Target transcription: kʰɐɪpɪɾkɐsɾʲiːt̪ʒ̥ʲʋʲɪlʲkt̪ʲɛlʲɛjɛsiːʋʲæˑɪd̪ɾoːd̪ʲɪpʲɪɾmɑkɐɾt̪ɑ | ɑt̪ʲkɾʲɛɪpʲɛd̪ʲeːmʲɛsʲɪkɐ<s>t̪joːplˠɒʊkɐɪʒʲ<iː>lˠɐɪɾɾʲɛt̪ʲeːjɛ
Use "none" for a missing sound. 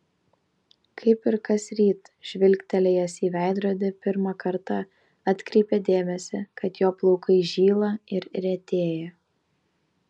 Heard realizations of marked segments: none, iː

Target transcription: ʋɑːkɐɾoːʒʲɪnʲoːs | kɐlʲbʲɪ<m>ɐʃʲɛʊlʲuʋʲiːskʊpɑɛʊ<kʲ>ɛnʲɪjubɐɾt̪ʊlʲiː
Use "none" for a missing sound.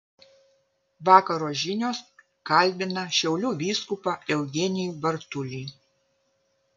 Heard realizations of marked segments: n, ɡʲ

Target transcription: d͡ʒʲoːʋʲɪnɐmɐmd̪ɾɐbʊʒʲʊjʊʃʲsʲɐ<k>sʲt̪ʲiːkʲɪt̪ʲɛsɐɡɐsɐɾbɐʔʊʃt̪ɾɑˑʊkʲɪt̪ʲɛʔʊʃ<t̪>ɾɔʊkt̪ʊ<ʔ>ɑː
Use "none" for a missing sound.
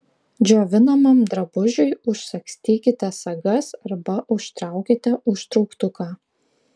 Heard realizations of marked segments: k, t̪, k

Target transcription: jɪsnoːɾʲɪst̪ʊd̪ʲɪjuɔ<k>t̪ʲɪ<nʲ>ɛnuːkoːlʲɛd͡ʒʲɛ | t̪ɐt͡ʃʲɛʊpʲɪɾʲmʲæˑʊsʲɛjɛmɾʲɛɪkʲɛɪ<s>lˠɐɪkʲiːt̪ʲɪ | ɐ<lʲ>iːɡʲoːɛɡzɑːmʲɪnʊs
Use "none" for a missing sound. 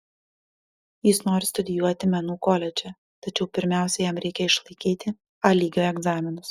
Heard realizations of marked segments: none, mʲ, ʃ, lʲ

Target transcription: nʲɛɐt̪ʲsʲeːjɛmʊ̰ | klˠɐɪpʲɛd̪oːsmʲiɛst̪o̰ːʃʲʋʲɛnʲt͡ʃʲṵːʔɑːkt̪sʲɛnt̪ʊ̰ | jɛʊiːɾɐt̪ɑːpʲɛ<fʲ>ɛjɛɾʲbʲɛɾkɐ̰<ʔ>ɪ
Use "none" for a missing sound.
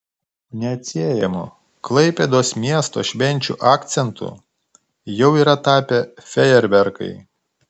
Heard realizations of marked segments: fʲ, none

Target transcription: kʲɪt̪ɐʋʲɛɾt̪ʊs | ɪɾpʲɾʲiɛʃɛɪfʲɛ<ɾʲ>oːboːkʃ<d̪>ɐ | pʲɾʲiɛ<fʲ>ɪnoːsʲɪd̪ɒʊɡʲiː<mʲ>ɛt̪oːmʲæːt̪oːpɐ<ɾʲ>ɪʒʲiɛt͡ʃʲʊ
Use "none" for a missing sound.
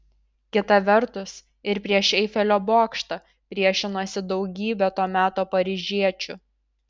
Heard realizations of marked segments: lʲ, t̪, ʃʲ, bʲ, ɾʲ

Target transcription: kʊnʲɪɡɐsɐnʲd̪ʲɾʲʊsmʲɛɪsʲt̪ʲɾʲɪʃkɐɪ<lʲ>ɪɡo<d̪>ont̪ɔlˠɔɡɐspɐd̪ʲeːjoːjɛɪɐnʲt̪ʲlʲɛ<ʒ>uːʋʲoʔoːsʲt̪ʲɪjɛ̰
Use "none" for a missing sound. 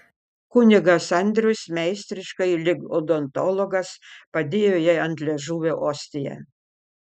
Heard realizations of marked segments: lʲ, d̪, ʒ

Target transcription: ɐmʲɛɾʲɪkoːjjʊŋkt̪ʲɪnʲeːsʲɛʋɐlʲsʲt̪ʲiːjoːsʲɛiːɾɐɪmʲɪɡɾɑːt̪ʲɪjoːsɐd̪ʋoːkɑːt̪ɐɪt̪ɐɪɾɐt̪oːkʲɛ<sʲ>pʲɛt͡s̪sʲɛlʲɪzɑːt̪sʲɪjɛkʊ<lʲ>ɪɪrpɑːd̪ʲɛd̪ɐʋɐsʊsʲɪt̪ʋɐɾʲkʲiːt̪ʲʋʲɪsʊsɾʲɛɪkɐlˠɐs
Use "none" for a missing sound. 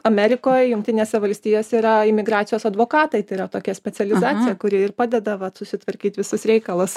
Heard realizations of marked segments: sʲ, ɾʲ

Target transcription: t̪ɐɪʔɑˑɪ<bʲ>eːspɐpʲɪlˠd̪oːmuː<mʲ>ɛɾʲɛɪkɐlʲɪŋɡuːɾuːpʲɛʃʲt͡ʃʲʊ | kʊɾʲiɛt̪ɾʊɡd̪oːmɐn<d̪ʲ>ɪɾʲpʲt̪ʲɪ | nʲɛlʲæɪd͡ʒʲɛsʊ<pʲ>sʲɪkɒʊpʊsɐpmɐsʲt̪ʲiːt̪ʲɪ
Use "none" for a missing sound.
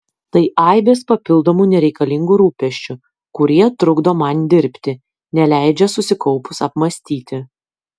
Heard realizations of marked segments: bʲ, nʲ, d̪ʲ, none

